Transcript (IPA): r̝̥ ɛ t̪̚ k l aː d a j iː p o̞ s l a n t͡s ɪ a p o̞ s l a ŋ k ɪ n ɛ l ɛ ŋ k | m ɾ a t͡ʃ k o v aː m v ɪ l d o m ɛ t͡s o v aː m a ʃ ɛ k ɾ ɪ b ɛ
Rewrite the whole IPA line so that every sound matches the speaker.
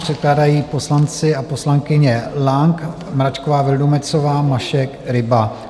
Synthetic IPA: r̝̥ ɛ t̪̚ k l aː d a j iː p o̞ s l a n t͡s ɪ a p o̞ s l a ŋ k ɪ ɲ ɛ l a ŋ k | m ɾ a t͡ʃ k o v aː v ɪ l d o m ɛ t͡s o v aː m a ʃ ɛ k ɾ ɪ b a